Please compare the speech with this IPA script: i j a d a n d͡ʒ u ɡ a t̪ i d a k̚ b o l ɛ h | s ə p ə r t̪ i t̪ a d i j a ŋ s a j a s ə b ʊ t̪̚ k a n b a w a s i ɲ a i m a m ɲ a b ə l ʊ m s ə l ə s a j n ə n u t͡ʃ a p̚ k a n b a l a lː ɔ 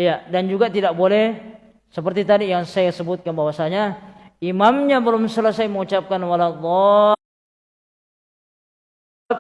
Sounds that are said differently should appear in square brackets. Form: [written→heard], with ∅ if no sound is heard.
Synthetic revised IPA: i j a d a n d͡ʒ u ɡ a t̪ i d a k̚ b o l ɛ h | s ə p ə r t̪ i t̪ a d i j a ŋ s a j a s ə b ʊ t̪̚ k a n b a w a s [i→a] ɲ a i m a m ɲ a b ə l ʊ m s ə l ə s a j [n→m] ə [n→ŋ] u t͡ʃ a p̚ k a n [b→w] a l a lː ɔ